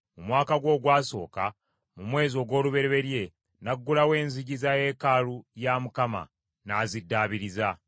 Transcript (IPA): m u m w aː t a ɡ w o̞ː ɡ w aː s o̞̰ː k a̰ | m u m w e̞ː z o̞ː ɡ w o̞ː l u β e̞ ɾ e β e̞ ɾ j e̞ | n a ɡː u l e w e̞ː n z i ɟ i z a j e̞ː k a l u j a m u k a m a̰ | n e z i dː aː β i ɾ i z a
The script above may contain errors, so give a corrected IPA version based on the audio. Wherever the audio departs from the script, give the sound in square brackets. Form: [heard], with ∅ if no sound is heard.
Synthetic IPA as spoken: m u m w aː [k] a ɡ w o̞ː ɡ w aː s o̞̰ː k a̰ | m u m w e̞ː z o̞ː ɡ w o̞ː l u β e̞ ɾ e β e̞ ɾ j e̞ | n a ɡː u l [a] w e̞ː n z i ɟ i z a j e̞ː k a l u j a m u k a m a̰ | n [a] z i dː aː β i ɾ i z a